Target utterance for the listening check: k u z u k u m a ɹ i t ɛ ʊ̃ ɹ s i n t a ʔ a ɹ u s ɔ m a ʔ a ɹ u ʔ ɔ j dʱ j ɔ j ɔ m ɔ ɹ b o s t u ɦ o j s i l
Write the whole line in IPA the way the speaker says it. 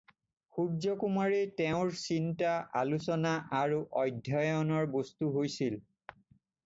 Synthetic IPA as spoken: x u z ɔ k u m a ɹ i t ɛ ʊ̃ ɹ s i n t a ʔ a l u s ɔ n a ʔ a ɹ u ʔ ɔ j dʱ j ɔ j ɔ n ɔ ɹ b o s t u ɦ o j s i l